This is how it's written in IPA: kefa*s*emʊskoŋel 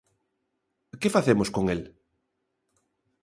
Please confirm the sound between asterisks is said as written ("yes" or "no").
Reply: no